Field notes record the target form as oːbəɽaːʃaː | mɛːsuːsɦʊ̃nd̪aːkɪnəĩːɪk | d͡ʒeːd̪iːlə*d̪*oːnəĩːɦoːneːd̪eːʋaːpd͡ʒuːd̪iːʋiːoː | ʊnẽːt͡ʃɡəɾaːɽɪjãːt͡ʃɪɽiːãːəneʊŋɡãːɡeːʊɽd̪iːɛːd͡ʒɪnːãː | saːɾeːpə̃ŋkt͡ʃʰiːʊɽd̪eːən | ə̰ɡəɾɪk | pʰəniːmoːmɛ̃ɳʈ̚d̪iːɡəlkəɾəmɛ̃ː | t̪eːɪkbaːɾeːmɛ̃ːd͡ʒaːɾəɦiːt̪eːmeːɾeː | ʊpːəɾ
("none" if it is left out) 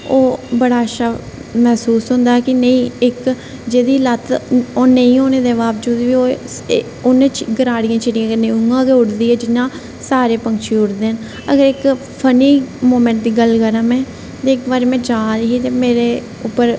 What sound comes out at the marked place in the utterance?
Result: t̪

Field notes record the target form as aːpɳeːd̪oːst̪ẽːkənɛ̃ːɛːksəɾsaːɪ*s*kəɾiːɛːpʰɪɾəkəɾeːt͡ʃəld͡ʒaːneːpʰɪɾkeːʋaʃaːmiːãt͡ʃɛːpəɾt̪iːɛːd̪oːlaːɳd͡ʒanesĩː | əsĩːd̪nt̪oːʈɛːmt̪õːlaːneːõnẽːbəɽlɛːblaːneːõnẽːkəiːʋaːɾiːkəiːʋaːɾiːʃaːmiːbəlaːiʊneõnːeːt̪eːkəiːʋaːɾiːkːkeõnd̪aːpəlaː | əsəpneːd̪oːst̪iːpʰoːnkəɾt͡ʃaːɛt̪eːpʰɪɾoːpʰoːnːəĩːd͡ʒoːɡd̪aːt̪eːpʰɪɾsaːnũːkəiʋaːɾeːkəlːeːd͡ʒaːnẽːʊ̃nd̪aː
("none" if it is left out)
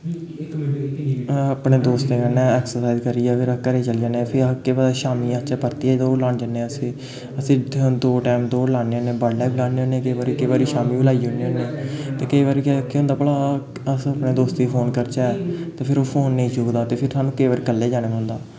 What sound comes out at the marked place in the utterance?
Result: z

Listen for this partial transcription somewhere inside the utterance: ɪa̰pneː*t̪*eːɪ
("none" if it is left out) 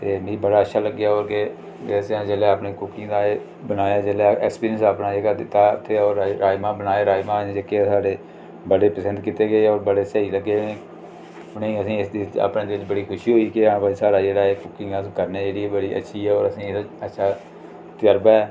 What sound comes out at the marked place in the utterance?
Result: d̪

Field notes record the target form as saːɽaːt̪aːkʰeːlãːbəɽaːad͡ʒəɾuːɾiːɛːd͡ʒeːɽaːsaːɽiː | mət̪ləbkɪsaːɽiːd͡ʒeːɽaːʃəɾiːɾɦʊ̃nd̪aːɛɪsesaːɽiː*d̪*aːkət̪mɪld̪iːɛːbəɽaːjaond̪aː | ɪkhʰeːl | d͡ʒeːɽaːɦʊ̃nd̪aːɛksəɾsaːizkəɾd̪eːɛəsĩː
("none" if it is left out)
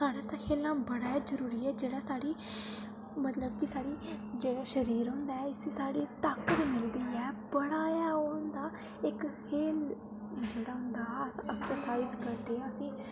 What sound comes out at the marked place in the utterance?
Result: t̪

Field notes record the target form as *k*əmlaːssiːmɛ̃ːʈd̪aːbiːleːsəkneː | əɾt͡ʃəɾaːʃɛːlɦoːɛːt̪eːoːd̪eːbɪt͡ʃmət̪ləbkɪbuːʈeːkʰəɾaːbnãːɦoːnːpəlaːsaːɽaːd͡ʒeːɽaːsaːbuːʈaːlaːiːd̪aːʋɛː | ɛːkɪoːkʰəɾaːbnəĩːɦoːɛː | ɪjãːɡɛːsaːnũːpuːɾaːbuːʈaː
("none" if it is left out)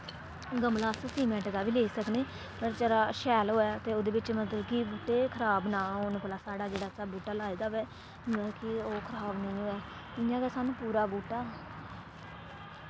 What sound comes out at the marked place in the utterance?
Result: ɡ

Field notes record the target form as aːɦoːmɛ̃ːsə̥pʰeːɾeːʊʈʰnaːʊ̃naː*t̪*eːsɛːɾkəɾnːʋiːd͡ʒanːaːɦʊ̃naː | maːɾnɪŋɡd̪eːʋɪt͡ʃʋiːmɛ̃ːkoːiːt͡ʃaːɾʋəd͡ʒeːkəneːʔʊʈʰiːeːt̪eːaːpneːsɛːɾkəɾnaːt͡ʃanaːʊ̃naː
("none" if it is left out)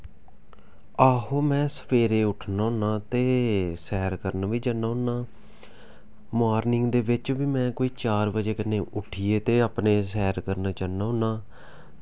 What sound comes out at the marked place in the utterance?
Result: t̪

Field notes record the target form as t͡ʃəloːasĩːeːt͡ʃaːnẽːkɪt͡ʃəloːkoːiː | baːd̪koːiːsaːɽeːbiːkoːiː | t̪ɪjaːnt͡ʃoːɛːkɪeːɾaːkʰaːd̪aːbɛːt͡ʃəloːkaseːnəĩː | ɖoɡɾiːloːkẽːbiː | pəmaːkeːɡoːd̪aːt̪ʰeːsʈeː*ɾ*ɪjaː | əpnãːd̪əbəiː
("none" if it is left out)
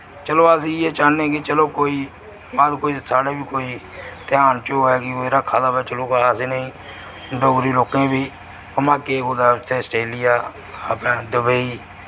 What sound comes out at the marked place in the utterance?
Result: l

